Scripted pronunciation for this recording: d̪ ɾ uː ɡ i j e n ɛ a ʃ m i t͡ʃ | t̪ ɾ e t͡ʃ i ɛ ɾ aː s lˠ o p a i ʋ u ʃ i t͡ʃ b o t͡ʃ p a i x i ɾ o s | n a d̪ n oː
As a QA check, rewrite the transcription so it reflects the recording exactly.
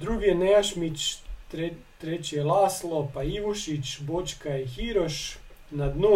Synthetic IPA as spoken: d̪ ɾ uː ɡ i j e n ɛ a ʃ m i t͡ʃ | t̪ ɾ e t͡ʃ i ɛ l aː s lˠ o p a i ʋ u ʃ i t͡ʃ b o t͡ʃ k a i x i ɾ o ʃ | n a d̪ n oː